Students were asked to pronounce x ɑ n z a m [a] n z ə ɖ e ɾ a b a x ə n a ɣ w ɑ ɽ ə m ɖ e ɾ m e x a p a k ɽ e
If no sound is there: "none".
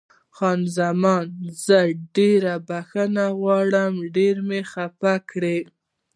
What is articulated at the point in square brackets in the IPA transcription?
ɑ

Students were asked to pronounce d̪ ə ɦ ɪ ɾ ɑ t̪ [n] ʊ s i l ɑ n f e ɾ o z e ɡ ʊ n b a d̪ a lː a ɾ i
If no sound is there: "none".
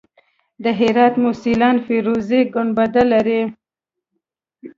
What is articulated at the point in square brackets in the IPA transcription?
m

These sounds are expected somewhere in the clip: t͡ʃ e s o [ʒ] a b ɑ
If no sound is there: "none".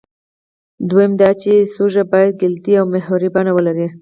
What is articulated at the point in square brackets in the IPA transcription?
ʒ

